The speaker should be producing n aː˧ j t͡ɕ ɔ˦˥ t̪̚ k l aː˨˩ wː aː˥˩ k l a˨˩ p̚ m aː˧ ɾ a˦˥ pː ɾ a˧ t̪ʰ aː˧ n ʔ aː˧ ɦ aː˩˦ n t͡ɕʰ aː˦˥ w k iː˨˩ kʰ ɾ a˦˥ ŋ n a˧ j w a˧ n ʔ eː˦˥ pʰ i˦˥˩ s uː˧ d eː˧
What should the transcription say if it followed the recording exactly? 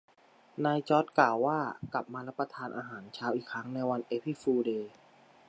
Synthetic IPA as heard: n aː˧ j t͡ɕ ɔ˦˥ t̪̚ k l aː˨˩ wː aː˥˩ k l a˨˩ p̚ m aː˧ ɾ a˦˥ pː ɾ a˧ t̪ʰ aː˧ n ʔ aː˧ ɦ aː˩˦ n t͡ɕʰ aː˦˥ w ʔ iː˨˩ kʰ ɾ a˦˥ ŋ n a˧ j w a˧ n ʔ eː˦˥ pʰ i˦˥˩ f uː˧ d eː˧